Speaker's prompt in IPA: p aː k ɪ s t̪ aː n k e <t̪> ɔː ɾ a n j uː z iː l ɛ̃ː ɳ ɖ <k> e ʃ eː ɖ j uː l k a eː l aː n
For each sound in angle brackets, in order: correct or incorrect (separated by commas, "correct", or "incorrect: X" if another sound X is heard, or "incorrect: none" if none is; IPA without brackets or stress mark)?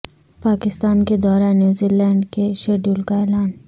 incorrect: d̪, correct